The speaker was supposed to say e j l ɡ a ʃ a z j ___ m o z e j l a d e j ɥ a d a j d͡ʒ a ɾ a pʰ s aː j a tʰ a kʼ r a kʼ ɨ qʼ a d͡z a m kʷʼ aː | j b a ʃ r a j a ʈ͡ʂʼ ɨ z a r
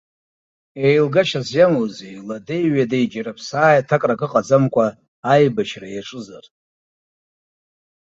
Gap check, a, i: a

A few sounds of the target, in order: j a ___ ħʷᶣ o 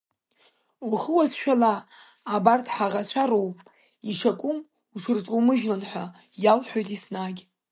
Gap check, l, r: l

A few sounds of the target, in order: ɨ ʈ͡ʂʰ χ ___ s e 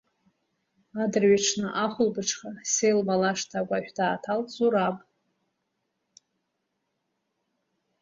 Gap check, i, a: a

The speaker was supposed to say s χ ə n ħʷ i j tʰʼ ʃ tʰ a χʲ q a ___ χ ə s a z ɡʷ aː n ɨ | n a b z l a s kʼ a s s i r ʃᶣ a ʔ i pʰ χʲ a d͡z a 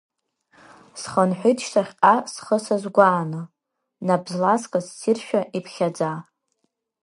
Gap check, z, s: s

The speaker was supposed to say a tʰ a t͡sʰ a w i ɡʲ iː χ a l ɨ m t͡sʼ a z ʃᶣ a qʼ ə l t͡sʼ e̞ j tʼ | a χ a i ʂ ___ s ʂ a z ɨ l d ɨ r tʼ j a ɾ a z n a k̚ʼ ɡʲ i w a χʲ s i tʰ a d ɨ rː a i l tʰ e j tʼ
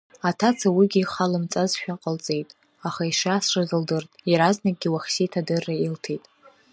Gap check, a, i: a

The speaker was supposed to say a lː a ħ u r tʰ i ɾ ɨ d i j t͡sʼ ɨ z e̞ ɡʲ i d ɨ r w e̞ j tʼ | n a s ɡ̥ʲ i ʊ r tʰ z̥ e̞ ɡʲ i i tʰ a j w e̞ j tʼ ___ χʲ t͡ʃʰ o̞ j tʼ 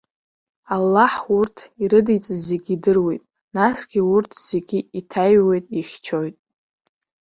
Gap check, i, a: i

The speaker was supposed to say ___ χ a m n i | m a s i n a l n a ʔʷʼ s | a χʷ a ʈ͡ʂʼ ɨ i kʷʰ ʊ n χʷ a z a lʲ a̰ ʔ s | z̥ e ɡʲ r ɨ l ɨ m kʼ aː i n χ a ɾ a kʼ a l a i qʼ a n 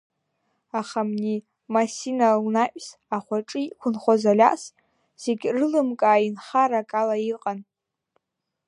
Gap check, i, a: a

